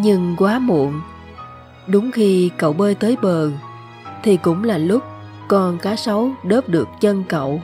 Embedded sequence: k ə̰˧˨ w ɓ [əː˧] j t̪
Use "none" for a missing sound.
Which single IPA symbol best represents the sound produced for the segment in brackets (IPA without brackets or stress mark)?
əː˧